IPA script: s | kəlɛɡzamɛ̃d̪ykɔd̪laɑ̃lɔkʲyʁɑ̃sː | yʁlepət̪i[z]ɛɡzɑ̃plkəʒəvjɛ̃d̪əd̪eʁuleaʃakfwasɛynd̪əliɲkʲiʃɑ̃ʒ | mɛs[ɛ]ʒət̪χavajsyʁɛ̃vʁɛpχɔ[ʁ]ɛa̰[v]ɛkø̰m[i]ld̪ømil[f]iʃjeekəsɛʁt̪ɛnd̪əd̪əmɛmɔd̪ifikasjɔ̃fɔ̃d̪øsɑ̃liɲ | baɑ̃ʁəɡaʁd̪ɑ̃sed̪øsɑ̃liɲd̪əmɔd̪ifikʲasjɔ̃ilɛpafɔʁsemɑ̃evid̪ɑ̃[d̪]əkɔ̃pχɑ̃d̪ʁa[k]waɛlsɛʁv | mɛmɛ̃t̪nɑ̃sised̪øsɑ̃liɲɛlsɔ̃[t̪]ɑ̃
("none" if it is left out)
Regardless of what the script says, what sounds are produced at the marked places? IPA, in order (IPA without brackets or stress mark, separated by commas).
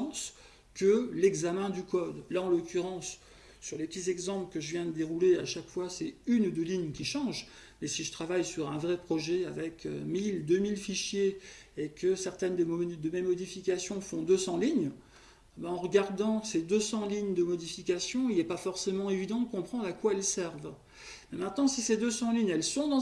z, i, ʒ, v, i, f, d̪, k, d̪